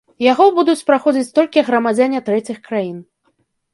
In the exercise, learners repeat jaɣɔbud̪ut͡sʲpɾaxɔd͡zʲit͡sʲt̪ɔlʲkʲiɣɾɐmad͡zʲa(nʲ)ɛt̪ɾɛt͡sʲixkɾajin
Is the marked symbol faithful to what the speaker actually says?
yes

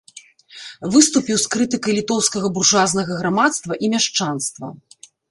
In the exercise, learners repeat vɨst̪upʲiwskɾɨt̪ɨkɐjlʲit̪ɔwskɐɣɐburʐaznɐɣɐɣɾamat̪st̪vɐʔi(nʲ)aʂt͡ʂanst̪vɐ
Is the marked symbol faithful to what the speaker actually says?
no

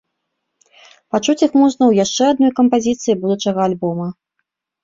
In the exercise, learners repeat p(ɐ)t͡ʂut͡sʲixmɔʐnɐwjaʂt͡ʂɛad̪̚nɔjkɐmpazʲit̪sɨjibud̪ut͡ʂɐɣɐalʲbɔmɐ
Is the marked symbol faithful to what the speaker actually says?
no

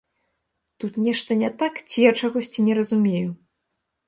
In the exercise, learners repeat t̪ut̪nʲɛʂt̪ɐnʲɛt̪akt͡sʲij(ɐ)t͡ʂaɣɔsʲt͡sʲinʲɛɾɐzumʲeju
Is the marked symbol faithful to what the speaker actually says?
no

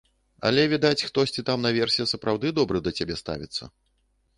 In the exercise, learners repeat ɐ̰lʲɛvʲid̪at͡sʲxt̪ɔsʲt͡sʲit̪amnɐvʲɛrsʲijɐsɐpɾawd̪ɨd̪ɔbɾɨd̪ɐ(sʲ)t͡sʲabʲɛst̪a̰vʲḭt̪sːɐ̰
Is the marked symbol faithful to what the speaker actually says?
no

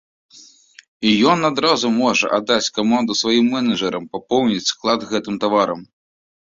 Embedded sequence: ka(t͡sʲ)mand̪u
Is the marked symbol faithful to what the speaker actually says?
no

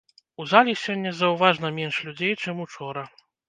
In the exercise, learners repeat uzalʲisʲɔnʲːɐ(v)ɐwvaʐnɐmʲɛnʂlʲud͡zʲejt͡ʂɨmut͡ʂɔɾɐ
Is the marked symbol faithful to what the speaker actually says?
no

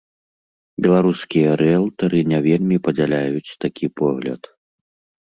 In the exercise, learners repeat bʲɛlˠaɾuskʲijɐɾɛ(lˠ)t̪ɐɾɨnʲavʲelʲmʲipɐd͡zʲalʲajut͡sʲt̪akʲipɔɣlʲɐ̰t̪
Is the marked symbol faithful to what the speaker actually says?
yes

